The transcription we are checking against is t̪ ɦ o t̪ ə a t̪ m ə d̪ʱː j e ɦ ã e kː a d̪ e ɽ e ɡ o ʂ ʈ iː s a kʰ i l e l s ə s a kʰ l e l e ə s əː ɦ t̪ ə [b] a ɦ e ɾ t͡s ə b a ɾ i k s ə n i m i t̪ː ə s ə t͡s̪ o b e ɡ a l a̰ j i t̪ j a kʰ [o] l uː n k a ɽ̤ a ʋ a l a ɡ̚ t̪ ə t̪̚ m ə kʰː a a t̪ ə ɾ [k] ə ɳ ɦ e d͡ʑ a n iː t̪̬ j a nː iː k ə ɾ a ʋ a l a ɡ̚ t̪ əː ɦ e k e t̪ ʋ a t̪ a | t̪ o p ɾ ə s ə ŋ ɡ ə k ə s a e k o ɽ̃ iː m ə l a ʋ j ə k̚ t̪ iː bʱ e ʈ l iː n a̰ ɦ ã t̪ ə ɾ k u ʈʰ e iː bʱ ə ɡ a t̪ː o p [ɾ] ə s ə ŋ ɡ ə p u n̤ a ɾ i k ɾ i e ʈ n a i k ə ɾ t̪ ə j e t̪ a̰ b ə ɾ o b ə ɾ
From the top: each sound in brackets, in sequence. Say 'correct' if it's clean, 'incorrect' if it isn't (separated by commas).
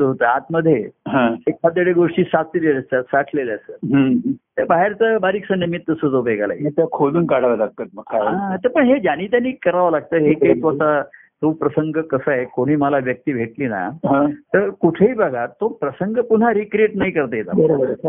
correct, correct, incorrect, correct